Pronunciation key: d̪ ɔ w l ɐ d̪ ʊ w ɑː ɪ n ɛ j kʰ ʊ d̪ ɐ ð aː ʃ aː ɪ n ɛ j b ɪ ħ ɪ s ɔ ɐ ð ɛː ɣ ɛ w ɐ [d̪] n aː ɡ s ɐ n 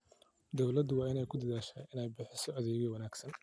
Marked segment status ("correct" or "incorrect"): incorrect